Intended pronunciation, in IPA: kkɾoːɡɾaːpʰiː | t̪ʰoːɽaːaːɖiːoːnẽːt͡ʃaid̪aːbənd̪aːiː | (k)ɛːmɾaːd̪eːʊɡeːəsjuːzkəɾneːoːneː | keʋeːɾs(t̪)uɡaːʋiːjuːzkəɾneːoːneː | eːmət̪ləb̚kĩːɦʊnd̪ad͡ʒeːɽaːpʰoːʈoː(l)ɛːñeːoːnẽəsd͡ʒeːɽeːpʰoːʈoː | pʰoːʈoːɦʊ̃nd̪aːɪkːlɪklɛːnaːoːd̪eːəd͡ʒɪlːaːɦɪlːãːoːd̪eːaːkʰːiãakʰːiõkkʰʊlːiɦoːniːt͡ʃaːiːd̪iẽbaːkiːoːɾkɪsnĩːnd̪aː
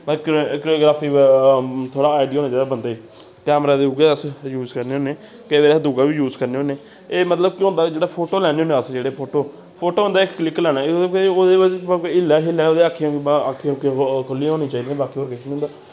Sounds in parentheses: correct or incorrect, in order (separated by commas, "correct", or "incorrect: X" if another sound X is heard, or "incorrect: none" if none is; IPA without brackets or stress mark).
correct, incorrect: d̪, correct